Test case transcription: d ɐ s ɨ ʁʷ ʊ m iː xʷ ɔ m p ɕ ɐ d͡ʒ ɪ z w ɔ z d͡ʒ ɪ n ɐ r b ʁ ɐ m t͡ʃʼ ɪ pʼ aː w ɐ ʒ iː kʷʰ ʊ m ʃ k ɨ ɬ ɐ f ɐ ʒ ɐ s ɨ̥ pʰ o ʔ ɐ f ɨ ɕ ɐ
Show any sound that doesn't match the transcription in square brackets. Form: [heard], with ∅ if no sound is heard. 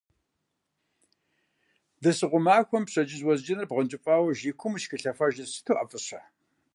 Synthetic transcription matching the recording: d ɐ s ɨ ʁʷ ʊ m [aː] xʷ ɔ m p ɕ ɐ d͡ʒ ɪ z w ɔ z d͡ʒ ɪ n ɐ r b ʁ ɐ [n] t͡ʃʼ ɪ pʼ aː w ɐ ʒ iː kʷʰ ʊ m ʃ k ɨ ɬ ɐ f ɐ ʒ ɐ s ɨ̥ [tʰ] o ʔ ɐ f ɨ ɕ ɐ